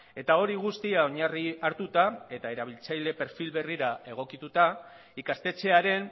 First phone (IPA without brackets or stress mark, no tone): e̞